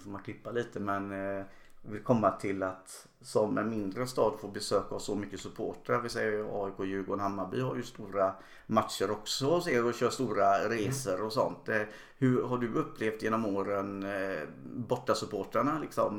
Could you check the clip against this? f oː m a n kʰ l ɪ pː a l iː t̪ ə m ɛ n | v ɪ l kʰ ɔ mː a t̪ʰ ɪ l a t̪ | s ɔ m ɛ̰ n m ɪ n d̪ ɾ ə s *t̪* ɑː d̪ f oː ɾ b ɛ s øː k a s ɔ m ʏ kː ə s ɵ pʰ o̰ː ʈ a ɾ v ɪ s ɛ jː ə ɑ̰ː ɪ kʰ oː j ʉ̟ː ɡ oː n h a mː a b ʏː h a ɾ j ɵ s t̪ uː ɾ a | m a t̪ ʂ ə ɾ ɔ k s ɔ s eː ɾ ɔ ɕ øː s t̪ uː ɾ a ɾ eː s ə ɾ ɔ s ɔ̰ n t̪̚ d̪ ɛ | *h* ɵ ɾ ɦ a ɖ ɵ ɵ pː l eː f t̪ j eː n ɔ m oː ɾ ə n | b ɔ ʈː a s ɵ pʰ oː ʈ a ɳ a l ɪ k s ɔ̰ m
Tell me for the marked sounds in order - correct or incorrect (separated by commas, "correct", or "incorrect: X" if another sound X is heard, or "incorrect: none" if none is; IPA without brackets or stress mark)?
correct, correct